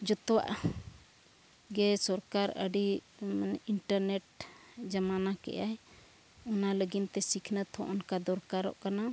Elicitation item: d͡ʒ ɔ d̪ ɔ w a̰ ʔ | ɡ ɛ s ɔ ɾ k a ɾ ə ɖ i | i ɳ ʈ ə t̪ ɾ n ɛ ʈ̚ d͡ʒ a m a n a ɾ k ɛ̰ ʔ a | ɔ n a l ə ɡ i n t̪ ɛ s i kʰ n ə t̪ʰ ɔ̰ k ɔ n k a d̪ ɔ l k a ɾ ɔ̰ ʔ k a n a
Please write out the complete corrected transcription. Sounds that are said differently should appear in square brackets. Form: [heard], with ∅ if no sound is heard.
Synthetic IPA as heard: d͡ʒ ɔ [t̪] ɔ w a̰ ʔ | ɡ ɛ s ɔ ɾ k a ɾ ə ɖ i | i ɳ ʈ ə [∅] ɾ n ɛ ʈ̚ d͡ʒ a m a n a [∅] k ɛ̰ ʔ a | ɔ n a l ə ɡ i n t̪ ɛ s i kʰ n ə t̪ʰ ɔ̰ [ʔ] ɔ n k a d̪ ɔ [ɾ] k a ɾ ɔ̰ ʔ k a n a